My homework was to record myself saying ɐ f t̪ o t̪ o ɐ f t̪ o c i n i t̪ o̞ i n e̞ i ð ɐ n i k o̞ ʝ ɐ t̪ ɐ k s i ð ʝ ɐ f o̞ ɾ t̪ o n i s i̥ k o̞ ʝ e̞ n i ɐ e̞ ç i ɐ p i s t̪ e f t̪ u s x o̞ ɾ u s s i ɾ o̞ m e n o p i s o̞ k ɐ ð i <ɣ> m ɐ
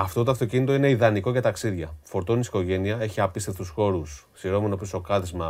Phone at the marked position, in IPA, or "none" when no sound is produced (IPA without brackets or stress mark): z